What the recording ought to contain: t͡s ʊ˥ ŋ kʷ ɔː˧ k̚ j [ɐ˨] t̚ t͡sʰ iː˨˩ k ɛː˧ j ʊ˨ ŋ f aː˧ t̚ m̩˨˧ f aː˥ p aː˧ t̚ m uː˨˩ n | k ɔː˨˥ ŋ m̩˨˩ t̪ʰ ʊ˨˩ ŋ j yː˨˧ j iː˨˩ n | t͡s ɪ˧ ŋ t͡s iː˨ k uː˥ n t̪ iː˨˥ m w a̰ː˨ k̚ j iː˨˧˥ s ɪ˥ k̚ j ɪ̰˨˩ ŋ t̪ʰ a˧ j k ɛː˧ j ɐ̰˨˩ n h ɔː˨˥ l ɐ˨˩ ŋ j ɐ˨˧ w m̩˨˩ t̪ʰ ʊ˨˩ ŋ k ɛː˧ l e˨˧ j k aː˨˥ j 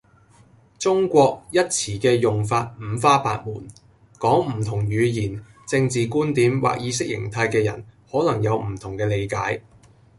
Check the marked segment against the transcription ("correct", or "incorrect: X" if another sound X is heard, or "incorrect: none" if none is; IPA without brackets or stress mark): incorrect: ɐ˥